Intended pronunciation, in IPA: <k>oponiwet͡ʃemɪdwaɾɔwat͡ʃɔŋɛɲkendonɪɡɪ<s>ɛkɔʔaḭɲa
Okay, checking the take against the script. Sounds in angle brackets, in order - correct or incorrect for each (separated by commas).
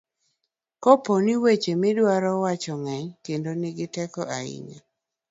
correct, incorrect